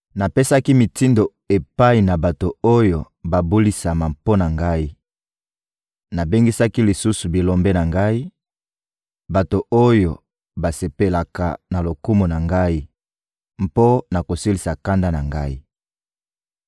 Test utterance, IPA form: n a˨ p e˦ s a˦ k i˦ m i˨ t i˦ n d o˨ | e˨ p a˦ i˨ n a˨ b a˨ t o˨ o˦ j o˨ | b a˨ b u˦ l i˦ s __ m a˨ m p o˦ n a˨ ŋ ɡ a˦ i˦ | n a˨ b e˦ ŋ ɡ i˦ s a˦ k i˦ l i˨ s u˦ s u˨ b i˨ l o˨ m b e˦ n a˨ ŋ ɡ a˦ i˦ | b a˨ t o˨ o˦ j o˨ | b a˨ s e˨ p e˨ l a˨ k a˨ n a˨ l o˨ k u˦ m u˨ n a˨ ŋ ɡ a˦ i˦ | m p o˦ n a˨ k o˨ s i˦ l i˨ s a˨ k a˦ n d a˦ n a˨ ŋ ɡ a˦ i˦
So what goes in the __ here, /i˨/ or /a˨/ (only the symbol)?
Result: a˨